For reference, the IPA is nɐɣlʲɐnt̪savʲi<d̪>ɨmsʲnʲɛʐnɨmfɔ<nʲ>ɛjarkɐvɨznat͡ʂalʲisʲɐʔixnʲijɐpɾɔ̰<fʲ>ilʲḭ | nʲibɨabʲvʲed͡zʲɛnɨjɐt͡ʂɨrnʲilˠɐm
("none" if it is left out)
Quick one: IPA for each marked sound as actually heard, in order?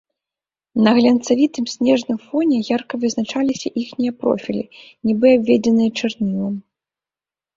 t̪, nʲ, fʲ

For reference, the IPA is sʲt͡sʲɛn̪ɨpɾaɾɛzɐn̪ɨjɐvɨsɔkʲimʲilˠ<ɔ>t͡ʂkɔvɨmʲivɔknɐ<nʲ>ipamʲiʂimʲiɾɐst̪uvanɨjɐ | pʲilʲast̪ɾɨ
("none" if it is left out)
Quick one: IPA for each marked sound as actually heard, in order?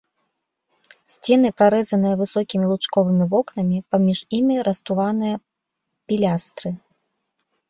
u, mʲ

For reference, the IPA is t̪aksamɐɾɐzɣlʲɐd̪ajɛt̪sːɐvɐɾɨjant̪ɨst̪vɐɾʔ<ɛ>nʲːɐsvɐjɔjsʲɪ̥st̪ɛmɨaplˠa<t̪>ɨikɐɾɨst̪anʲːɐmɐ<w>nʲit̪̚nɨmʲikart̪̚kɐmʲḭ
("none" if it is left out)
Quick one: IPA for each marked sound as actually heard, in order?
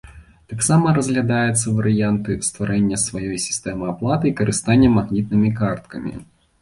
ɛ, t̪, ɣ

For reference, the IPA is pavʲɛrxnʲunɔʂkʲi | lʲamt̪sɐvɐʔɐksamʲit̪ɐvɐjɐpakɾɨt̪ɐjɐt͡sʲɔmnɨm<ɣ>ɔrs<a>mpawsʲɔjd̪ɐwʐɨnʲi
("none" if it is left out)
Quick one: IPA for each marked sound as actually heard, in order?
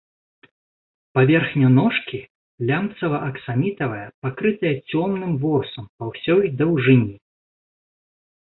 v, ɐ

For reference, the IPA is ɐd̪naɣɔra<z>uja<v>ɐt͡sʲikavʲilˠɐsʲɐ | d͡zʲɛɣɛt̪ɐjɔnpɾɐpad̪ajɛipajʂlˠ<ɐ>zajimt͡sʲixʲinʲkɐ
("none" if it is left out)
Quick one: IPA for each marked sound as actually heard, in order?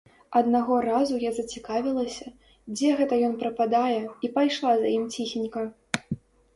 z, z, a

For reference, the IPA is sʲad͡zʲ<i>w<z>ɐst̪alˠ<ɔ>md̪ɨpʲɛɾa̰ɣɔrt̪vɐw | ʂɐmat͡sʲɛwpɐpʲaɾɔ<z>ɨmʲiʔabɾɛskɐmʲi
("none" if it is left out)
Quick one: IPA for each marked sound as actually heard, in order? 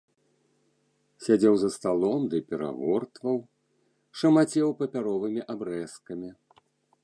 ɛ, z, ɔ, v

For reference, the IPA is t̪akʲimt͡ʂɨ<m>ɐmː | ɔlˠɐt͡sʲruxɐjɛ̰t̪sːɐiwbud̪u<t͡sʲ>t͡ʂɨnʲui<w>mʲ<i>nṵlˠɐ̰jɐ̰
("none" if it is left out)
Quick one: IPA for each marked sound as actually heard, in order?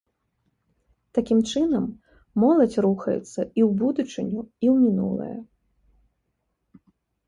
n, none, w, i

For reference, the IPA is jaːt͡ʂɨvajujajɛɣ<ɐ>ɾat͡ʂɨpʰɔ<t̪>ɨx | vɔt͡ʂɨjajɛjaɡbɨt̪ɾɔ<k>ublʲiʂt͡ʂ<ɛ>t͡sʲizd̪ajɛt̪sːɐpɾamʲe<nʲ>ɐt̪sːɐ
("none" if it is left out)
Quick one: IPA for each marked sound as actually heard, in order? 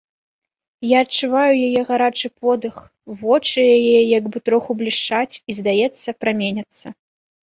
a, d̪, x, a, nʲ

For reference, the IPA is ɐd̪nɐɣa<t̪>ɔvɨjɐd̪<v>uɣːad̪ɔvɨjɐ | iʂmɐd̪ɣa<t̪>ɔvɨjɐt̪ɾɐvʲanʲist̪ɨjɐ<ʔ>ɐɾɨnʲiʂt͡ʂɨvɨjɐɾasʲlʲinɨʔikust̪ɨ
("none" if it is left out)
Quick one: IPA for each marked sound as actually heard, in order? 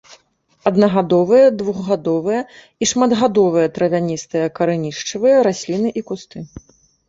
d̪, v, d̪, k

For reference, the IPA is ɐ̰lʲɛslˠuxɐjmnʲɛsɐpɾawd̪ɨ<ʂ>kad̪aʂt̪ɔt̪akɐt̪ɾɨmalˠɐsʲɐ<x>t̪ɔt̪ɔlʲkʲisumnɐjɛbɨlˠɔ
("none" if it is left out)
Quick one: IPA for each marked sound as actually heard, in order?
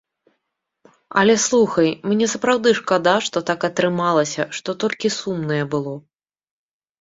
ʂ, ʂ

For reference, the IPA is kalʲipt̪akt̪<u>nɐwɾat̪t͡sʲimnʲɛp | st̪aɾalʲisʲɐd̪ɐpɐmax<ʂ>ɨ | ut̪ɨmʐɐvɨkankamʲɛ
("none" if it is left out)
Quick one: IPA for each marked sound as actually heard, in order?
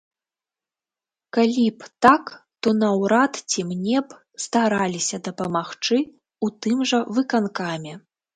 ɔ, t͡ʂ

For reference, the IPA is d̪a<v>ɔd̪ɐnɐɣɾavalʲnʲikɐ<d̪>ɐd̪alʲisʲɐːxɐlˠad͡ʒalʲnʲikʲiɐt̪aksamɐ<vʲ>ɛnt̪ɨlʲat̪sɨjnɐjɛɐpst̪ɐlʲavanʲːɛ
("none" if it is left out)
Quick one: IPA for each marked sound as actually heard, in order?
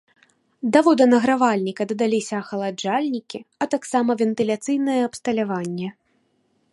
v, d̪, vʲ

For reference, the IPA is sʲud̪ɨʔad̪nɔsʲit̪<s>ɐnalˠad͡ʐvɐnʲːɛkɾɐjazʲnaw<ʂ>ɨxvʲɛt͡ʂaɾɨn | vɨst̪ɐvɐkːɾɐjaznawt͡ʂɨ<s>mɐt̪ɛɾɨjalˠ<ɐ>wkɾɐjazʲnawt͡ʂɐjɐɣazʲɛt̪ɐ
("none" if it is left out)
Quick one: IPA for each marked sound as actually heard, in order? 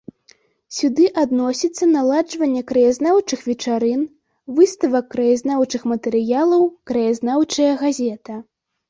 sː, t͡ʂ, x, ɐ

